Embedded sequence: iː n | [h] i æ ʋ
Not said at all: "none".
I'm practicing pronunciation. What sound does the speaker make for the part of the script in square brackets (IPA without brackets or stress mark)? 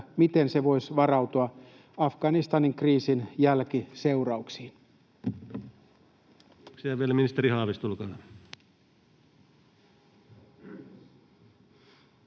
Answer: s